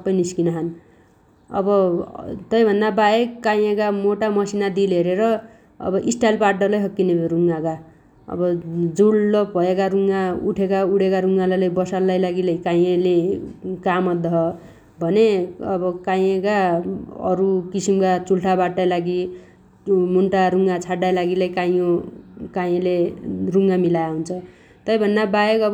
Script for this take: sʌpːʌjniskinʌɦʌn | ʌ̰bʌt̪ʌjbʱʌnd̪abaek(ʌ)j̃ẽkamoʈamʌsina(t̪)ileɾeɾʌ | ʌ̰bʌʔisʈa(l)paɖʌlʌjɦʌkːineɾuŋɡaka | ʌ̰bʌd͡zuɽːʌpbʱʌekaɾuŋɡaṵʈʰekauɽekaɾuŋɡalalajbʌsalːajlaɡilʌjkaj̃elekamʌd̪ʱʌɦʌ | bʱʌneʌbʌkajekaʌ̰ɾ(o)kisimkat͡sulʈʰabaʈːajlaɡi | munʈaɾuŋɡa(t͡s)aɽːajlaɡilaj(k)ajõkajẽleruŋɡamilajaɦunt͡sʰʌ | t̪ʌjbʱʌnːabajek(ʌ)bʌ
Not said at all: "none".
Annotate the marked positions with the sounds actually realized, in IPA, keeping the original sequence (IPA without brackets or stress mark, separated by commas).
a, d̪, l, u, t͡sʰ, k, ʌ